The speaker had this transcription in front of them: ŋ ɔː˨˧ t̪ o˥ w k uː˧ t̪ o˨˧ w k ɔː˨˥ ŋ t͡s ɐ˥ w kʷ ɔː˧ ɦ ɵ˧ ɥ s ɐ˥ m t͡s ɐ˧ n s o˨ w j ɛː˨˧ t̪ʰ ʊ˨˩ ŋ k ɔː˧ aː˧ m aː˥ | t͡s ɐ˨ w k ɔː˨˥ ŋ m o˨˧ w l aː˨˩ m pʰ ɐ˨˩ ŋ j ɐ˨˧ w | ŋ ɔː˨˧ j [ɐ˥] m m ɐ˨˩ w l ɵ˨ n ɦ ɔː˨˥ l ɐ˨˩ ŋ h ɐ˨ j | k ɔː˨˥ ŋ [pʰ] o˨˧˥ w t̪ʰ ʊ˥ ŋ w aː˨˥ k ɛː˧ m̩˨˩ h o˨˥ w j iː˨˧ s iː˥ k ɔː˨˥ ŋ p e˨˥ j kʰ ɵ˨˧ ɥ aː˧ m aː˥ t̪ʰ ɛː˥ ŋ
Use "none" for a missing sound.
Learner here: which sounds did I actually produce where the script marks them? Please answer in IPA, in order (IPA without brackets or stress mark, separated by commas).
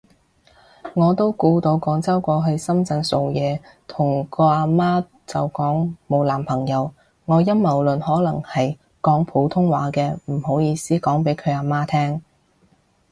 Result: ɐ˥, pʰ